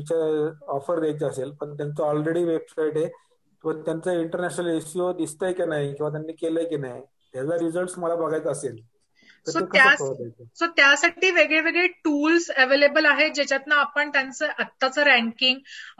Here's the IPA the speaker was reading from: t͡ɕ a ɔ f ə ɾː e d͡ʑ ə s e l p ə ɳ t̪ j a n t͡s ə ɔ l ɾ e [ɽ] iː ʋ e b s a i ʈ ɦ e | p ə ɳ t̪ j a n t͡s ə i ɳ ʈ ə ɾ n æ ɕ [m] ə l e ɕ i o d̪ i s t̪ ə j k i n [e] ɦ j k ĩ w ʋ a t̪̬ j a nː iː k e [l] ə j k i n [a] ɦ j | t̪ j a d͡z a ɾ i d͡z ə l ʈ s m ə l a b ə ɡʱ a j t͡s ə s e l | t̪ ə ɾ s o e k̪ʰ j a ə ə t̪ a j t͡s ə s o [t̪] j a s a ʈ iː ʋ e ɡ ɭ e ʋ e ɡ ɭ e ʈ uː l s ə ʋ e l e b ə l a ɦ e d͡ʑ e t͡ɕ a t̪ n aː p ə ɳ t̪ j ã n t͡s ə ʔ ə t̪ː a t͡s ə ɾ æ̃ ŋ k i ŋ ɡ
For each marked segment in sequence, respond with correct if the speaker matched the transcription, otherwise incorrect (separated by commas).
correct, incorrect, incorrect, correct, correct, correct